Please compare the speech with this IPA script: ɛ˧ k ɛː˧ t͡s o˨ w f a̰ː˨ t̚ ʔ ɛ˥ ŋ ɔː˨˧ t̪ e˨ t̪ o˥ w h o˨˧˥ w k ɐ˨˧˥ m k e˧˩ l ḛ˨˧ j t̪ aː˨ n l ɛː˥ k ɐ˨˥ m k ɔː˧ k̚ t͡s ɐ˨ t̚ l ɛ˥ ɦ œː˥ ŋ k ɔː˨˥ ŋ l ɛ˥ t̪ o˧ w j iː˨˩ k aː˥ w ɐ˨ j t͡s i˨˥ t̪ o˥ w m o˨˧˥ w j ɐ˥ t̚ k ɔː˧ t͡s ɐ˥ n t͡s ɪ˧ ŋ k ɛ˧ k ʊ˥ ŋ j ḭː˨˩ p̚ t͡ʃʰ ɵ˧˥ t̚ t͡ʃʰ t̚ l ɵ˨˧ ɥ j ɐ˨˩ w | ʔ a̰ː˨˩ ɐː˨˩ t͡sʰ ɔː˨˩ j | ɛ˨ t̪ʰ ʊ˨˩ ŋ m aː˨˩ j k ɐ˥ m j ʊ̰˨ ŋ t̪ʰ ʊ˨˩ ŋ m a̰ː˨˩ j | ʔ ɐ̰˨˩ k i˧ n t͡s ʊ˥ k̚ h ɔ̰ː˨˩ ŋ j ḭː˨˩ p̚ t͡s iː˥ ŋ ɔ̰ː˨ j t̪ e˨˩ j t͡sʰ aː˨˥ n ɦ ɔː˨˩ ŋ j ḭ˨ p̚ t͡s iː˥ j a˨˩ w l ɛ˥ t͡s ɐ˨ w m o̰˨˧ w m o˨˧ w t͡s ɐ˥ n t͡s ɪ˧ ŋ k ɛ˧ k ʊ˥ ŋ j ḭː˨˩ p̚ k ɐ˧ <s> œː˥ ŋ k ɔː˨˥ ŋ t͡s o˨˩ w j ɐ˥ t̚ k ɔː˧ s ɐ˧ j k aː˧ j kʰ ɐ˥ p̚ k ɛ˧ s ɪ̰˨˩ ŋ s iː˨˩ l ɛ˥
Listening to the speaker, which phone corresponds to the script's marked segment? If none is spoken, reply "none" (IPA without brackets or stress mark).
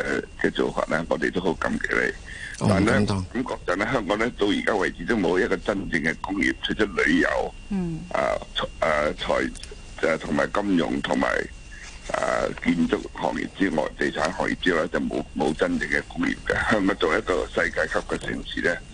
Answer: h